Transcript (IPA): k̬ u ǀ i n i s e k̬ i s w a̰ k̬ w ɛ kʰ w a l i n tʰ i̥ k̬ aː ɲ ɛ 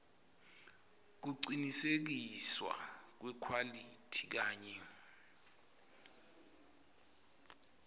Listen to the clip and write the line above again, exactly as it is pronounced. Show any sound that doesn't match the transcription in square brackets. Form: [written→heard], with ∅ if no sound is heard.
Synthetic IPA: k̬ u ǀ i n i s e k̬ i s w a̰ k̬ w ɛ kʰ w a l i [n→∅] tʰ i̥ k̬ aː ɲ ɛ